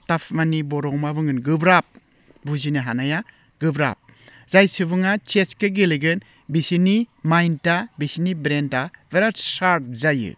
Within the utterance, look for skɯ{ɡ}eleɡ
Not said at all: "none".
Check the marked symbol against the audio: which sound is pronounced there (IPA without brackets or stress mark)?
ɡ